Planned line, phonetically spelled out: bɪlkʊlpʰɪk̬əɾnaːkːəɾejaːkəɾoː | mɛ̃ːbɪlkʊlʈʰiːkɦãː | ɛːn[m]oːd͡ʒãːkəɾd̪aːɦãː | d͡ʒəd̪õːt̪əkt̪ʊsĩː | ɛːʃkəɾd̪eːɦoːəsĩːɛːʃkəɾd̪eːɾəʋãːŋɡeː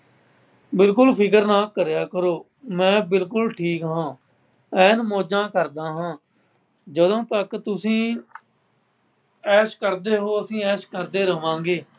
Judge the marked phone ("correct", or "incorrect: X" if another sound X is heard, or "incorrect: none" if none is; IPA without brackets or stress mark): correct